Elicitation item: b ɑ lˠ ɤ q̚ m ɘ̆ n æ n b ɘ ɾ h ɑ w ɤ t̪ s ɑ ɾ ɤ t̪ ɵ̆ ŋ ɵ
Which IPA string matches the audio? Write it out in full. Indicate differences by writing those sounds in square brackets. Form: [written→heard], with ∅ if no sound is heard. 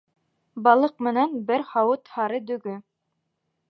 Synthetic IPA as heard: b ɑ lˠ ɤ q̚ m ɘ̆ n æ n b ɘ ɾ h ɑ w ɤ t̪ [s→h] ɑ ɾ ɤ [t̪→d̪] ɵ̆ [ŋ→ɡ] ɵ